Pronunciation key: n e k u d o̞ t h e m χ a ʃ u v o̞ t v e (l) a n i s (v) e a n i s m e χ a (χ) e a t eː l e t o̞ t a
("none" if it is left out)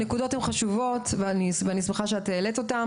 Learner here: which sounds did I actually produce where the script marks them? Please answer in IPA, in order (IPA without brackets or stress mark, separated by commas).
none, v, ʃ